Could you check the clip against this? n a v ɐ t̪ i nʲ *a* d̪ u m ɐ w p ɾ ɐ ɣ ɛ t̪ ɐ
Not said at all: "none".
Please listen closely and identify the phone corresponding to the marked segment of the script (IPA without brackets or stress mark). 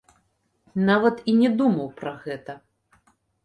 ɛ